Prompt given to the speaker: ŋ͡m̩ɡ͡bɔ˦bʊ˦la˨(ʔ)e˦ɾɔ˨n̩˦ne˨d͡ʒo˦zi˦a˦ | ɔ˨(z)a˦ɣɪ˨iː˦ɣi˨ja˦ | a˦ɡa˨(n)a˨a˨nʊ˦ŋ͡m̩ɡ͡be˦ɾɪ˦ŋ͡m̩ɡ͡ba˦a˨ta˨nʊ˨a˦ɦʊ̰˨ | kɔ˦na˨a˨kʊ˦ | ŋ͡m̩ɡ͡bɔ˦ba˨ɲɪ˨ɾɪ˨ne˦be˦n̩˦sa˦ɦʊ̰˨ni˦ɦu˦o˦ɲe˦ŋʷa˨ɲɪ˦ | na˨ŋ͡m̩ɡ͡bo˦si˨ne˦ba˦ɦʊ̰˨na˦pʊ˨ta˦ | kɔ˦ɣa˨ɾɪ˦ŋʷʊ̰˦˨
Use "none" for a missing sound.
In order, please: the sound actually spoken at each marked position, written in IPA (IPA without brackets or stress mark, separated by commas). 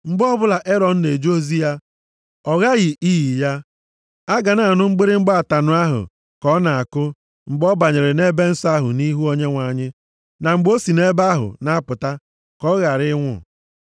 ʔ, ɣ, n